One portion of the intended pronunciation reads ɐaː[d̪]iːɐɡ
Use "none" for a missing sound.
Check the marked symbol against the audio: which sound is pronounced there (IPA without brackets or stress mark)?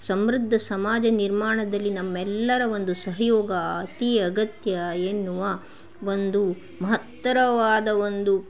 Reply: t̪